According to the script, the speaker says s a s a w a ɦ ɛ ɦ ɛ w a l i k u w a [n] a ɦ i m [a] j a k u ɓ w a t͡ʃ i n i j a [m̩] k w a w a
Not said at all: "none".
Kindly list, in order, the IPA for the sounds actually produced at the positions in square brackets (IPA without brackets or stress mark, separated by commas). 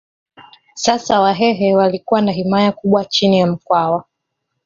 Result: n, a, m̩